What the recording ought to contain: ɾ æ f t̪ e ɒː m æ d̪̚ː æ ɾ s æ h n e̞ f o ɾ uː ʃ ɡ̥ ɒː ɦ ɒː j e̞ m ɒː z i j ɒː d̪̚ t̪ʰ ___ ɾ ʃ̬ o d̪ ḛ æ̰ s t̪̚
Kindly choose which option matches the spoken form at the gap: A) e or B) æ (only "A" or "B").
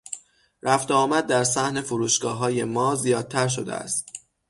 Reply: B